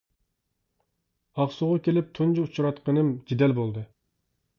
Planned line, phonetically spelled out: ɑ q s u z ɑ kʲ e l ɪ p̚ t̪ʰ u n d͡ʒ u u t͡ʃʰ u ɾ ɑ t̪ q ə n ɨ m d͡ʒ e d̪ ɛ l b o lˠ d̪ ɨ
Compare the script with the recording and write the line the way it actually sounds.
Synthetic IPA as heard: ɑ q s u ʁ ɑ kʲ e l ɪ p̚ t̪ʰ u n d͡ʒ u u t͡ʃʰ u ɾ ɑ t̪ q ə n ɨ m d͡ʒ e d̪ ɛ l b o lˠ d̪ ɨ